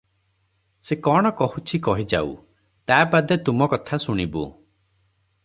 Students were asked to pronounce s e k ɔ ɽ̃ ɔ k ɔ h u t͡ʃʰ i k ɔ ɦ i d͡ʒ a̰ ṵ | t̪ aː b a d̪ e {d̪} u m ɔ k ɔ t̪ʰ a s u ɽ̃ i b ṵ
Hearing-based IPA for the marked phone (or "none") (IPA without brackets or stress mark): t̪